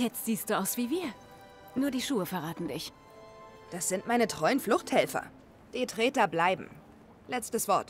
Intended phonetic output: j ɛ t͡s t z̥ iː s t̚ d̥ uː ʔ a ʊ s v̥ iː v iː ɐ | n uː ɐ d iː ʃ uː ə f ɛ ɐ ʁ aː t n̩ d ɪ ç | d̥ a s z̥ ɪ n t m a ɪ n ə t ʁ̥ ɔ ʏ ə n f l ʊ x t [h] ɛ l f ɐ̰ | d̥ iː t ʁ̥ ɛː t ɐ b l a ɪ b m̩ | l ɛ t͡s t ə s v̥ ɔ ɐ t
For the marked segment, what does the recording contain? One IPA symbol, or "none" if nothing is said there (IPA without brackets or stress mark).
h